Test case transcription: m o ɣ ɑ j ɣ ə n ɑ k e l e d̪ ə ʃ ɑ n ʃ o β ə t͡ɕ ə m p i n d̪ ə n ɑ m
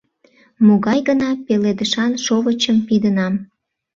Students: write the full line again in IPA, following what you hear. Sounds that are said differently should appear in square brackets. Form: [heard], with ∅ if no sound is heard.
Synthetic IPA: m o ɣ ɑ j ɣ ə n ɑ [p] e l e d̪ ə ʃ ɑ n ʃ o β ə t͡ɕ ə m p i [∅] d̪ ə n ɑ m